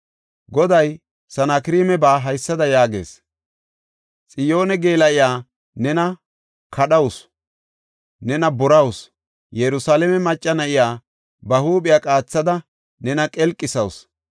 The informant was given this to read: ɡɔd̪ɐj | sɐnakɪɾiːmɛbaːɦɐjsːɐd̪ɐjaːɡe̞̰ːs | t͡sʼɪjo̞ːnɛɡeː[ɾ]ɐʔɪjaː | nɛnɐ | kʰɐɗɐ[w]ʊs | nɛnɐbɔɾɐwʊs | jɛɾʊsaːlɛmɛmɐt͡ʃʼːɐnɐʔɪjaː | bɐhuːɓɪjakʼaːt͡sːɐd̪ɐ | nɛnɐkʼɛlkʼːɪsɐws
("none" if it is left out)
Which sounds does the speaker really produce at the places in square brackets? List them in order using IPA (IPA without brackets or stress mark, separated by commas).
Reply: l, w